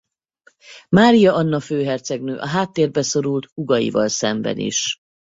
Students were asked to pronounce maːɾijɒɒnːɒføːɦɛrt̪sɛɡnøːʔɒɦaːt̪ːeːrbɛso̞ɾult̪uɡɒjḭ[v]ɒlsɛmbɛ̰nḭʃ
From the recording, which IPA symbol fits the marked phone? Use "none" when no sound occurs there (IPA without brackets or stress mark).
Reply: v